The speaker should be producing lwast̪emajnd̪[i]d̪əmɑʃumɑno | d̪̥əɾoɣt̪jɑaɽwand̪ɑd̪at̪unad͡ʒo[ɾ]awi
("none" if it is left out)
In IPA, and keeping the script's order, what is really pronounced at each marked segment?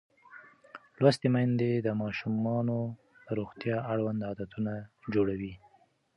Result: e, ɽ

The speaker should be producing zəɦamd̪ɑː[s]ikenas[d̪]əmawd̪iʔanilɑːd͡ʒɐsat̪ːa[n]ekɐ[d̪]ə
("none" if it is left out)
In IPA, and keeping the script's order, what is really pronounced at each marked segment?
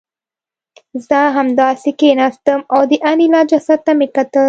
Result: s, t̪, m, t̪

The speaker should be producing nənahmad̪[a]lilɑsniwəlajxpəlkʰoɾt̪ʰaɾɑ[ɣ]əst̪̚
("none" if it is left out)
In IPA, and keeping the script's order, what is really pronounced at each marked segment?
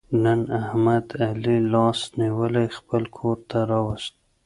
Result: a, w

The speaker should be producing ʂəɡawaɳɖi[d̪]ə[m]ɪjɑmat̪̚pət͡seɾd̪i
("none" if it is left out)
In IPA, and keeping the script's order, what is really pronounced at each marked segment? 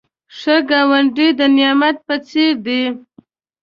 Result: d̪, n

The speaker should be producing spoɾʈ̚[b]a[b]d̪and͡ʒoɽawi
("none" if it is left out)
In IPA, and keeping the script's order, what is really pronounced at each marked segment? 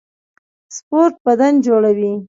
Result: b, none

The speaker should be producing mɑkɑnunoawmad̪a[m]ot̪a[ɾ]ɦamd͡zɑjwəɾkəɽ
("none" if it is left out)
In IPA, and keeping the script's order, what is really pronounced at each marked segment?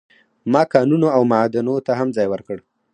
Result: n, none

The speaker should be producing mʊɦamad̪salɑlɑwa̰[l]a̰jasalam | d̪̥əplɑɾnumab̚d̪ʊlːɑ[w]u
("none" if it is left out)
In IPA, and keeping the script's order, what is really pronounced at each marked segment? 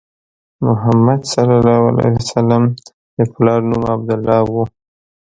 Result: l, w

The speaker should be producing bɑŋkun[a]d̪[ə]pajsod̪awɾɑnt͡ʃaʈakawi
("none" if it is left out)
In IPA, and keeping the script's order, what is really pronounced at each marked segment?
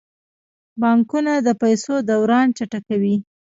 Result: a, ə

